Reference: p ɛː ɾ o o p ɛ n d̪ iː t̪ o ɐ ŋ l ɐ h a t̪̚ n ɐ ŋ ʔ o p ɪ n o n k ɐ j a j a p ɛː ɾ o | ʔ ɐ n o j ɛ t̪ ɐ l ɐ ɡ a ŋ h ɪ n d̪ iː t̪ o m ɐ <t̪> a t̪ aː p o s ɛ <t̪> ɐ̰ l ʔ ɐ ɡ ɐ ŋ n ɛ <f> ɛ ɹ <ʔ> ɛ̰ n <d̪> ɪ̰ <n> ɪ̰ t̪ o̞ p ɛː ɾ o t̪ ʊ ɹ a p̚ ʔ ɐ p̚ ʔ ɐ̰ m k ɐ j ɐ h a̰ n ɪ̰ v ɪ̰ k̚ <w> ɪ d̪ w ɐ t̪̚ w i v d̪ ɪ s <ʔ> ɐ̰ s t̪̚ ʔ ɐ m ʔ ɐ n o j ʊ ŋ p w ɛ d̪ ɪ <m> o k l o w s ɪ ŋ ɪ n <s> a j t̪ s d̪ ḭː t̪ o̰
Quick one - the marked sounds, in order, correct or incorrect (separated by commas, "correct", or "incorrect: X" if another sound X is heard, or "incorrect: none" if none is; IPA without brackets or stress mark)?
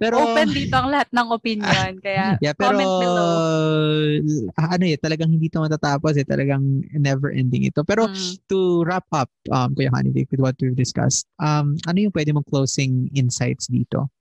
correct, correct, incorrect: v, correct, correct, incorrect: ŋ, correct, incorrect: k, correct, correct